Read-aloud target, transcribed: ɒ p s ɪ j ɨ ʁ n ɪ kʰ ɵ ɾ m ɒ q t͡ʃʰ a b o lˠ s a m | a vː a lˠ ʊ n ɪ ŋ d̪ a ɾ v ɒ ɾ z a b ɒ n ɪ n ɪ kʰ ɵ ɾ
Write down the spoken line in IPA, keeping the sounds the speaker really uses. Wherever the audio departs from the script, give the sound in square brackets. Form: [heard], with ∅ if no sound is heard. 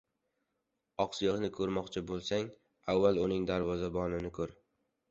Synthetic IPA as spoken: ɒ [q] s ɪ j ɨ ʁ n ɪ kʰ ɵ ɾ m ɒ q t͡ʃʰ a b o lˠ s a [ŋ] | a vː a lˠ ʊ n ɪ ŋ d̪ a ɾ v ɒ [∅] z a b ɒ n ɪ n ɪ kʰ ɵ ɾ

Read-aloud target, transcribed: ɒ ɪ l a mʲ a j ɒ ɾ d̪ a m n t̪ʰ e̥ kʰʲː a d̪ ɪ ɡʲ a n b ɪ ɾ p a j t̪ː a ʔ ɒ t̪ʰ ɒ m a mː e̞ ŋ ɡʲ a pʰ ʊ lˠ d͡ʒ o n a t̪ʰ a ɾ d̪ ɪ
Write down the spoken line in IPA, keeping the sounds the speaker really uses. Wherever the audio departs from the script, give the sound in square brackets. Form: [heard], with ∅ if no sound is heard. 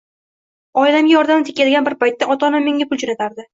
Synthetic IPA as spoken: ɒ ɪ l a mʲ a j ɒ ɾ d̪ a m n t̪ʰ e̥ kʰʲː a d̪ ɪ ɡʲ a n b ɪ ɾ p a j t̪ː a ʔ ɒ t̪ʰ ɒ [n] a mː e̞ ŋ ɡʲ a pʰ ʊ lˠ d͡ʒ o n a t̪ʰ a ɾ d̪ ɪ

